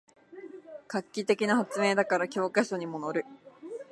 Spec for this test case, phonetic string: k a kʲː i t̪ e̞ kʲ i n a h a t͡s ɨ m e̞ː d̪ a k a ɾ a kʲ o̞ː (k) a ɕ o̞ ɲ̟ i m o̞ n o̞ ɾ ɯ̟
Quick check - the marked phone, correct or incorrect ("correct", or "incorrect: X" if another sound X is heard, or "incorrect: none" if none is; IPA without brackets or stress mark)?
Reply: correct